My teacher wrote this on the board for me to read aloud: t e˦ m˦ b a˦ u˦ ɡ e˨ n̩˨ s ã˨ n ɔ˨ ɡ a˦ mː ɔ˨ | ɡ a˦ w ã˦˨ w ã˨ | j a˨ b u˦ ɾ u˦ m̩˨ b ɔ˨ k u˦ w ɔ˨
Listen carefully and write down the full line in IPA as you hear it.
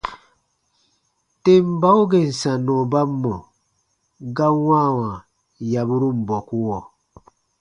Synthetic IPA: t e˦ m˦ b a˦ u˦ ɡ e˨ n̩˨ s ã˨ n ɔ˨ b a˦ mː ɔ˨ | ɡ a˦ w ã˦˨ w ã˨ | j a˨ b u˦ ɾ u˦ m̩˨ b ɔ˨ k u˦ w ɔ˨